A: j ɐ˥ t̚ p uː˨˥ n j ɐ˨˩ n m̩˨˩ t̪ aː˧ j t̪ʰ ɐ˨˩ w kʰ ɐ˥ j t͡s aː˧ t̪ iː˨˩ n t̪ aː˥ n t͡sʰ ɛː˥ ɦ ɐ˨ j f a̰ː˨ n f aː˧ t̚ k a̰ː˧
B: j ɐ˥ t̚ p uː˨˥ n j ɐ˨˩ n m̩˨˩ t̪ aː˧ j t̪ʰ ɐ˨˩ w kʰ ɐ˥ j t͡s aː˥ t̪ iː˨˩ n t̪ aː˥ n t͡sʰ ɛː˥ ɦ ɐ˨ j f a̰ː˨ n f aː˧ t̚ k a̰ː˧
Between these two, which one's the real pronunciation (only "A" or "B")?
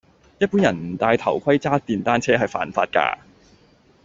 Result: B